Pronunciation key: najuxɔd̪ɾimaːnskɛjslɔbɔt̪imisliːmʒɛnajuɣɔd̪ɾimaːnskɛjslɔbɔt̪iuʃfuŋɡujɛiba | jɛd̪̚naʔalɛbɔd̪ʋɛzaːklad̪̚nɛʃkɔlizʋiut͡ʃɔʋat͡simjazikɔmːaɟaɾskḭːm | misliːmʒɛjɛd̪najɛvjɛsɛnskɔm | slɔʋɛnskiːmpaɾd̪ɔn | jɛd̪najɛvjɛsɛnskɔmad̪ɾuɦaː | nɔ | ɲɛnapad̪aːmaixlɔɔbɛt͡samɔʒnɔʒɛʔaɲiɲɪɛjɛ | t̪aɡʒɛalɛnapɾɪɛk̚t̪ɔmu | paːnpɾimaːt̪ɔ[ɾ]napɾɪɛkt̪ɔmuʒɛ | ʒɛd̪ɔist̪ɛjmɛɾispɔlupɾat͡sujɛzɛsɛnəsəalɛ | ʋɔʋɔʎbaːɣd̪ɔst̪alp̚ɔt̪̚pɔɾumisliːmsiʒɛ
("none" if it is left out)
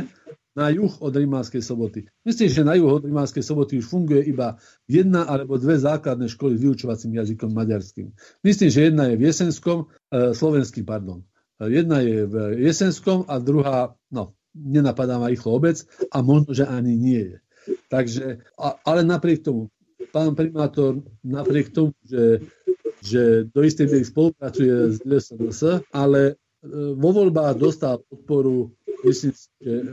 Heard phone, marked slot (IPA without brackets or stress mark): ɾ